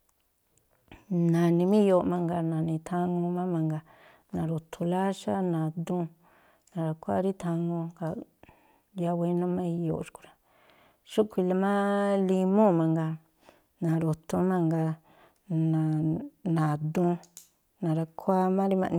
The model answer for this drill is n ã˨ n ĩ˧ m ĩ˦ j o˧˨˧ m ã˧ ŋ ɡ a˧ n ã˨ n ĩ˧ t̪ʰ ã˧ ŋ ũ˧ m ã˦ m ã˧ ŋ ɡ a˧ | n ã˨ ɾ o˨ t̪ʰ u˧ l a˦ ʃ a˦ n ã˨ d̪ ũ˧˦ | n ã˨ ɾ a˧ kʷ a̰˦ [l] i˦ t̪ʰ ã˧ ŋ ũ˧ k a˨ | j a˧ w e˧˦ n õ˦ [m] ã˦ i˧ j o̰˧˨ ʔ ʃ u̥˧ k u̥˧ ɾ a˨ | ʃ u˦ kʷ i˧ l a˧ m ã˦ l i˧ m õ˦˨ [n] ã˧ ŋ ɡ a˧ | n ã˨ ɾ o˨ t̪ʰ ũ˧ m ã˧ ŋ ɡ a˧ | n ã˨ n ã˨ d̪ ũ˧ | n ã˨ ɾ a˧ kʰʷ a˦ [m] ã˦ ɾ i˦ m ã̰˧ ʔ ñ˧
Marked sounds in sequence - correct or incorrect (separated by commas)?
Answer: incorrect, correct, incorrect, correct